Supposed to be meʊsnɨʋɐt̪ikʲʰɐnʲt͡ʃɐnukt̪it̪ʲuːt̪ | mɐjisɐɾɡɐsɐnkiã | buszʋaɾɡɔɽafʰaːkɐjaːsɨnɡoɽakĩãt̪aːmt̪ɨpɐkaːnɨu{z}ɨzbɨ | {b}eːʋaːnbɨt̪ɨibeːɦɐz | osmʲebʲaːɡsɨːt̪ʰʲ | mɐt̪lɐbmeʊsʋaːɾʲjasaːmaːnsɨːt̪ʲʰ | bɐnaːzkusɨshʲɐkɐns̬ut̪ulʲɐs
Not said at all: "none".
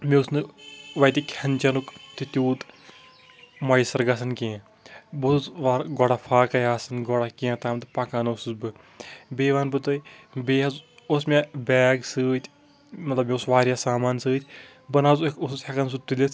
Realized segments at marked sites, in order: s, b

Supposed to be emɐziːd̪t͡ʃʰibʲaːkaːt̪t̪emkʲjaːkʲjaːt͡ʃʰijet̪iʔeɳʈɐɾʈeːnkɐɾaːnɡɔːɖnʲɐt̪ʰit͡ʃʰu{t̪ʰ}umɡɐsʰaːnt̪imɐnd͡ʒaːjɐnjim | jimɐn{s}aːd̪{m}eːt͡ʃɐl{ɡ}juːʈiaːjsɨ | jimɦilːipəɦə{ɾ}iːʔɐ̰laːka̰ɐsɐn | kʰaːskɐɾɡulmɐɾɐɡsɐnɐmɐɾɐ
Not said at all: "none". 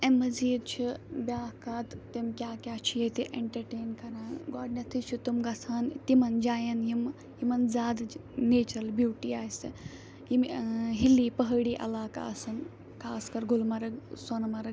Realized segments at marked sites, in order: t̪, z, n, b, ɽ

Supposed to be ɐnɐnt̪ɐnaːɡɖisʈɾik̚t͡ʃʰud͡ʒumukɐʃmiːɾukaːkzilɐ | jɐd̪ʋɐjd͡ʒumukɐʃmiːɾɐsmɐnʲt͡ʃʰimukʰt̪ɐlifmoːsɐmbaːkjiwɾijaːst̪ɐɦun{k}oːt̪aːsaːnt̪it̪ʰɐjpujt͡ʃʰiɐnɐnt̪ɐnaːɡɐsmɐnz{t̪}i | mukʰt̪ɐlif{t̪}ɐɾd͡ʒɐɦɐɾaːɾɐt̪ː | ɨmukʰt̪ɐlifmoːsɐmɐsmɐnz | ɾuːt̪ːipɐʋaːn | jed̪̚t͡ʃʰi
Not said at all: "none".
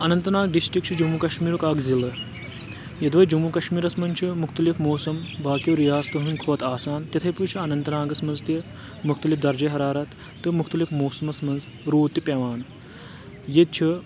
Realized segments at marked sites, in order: kʰ, t̪, d̪

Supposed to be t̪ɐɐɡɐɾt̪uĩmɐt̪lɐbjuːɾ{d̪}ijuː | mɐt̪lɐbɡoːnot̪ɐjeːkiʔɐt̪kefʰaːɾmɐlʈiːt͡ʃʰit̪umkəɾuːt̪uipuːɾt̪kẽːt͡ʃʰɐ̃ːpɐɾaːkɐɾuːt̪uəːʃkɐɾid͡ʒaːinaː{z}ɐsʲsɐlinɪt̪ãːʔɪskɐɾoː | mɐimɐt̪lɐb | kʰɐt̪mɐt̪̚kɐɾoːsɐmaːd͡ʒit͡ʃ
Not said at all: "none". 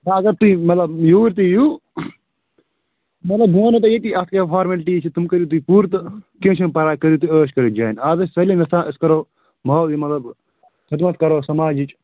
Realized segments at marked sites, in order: t̪, z

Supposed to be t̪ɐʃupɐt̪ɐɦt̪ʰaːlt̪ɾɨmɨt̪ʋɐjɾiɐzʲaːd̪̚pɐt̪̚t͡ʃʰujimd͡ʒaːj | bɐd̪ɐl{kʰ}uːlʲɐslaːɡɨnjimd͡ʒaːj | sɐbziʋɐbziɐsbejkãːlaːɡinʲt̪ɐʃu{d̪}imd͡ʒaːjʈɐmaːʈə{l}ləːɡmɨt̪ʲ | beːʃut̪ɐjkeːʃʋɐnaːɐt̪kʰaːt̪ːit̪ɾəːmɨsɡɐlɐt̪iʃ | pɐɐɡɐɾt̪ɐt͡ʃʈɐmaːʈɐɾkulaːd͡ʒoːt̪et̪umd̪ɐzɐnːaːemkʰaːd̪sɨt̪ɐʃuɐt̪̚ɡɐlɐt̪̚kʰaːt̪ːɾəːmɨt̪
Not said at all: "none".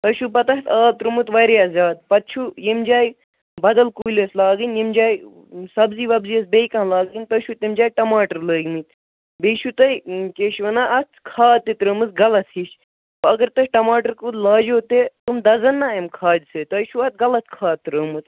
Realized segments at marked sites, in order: k, t̪, ɾ

